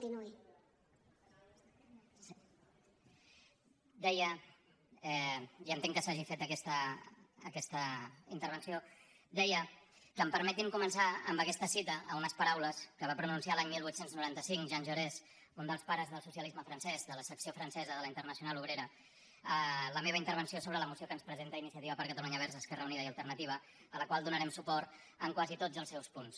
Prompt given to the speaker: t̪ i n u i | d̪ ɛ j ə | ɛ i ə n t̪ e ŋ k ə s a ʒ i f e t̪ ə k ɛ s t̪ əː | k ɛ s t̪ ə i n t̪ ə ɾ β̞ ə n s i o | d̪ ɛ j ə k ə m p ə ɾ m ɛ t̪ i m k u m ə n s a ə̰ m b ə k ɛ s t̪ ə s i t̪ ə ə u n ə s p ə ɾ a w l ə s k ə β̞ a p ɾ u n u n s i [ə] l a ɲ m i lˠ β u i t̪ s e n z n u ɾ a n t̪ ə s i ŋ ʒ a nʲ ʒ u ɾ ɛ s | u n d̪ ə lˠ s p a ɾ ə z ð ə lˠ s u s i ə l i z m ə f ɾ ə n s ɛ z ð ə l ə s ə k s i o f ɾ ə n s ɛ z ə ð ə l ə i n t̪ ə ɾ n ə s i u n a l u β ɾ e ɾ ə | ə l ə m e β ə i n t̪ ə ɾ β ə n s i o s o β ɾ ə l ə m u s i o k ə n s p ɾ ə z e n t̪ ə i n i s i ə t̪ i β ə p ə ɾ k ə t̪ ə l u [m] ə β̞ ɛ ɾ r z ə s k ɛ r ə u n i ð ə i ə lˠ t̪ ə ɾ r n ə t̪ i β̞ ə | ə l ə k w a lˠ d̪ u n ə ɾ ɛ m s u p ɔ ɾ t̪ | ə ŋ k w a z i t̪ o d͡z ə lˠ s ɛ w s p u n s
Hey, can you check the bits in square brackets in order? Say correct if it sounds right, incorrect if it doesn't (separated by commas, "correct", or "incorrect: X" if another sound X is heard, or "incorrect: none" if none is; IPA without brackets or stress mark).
incorrect: a, incorrect: ɲ